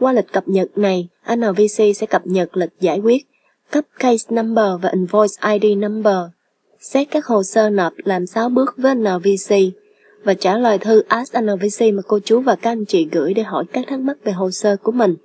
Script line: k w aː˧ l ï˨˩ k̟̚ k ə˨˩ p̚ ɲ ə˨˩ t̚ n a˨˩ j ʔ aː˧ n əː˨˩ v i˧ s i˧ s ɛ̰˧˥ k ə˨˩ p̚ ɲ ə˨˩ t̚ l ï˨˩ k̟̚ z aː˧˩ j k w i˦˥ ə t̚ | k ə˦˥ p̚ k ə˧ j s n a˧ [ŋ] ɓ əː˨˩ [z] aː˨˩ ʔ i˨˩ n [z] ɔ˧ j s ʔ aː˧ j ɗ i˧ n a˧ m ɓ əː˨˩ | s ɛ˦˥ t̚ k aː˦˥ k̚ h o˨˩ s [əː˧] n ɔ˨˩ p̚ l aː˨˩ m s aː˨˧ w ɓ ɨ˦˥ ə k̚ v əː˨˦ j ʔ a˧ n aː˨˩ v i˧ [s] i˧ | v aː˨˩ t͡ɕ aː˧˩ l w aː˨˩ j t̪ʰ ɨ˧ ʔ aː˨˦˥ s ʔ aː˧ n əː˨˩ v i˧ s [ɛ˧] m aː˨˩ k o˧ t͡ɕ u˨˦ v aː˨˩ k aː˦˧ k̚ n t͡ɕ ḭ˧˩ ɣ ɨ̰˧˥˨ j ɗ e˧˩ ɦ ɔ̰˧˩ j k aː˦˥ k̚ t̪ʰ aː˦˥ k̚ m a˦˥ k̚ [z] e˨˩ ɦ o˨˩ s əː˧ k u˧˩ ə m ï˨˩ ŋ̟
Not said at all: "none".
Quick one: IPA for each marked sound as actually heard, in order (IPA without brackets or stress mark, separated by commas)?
m, v, v, əː˧, s, i˧, v